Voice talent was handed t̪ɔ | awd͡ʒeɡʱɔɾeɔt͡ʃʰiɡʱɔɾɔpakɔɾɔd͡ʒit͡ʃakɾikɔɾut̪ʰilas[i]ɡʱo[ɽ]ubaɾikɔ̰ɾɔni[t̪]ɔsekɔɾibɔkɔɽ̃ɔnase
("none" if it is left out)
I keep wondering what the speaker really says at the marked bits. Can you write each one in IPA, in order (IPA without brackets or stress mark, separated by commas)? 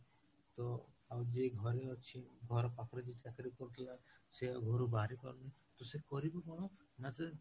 e, ɾ, t̪